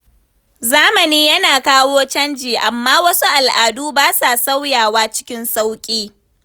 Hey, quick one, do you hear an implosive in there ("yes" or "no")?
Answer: no